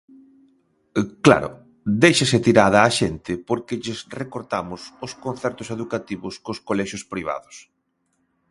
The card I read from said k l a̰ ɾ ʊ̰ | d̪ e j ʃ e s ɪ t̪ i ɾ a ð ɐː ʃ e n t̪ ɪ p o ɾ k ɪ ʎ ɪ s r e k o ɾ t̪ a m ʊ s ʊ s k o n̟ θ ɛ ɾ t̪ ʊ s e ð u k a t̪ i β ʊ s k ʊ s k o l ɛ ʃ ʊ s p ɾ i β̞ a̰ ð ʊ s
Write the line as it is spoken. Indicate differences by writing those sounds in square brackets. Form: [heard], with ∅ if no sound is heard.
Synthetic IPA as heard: k l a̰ ɾ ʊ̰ | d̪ e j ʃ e s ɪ t̪ i ɾ a ð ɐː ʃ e n t̪ ɪ p o ɾ k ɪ ʎ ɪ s r e k o ɾ t̪ a m ʊ s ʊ s k o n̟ θ ɛ ɾ t̪ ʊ s e ð u k a t̪ i β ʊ s k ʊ s k o l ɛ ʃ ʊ s p ɾ i β̞ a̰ ð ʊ s